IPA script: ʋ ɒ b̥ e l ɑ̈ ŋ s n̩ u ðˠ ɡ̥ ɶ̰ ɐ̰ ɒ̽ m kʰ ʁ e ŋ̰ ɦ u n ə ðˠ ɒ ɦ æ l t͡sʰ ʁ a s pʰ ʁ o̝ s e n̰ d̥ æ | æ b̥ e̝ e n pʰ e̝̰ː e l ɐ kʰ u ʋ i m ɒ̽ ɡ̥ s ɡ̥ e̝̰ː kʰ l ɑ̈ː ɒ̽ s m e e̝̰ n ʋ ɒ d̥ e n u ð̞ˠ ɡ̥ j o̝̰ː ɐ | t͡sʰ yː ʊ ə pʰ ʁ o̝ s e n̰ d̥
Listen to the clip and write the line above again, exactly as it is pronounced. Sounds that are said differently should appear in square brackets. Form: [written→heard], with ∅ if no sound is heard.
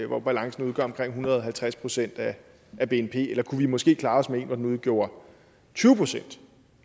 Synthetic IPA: ʋ ɒ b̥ [e→æ] l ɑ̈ ŋ s n̩ u ðˠ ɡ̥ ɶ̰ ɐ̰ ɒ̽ m kʰ ʁ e ŋ̰ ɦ u n [ə→ɐ] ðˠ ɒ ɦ æ l t͡sʰ ʁ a s pʰ ʁ o̝ s e n̰ d̥ æ | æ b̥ e̝ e n pʰ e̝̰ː e l ɐ kʰ u ʋ i m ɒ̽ [ɡ̥→∅] s ɡ̥ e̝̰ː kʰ l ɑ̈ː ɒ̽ s m e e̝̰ n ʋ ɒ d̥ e n u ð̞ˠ ɡ̥ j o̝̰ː ɐ | t͡sʰ yː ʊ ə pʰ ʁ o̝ s e n̰ d̥